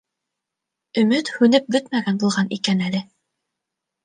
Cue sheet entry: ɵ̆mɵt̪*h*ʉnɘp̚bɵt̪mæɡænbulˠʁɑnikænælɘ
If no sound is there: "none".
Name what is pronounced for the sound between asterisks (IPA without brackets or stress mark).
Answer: h